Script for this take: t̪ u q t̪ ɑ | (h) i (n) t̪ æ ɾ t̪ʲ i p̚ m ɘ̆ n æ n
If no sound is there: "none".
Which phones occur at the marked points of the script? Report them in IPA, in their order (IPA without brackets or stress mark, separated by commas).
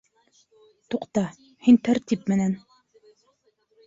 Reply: h, n